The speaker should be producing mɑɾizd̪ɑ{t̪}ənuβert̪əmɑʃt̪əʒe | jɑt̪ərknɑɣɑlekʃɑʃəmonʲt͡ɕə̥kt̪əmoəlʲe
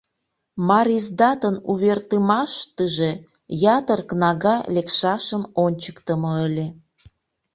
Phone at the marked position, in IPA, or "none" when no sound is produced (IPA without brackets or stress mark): t̪